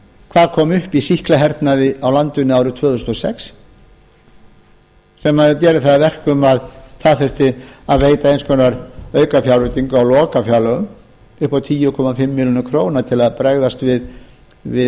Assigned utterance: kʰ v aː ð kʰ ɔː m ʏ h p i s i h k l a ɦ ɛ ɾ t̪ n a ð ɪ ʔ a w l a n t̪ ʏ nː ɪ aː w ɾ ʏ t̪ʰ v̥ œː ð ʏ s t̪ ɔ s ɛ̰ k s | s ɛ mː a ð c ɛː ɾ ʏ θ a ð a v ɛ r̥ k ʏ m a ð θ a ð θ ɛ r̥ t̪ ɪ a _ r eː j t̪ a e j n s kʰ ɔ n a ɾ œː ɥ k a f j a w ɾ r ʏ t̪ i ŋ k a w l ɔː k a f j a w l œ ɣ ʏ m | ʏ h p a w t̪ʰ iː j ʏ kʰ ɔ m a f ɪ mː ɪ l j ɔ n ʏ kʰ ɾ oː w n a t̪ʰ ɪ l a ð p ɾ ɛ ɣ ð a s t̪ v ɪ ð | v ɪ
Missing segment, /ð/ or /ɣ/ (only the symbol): ð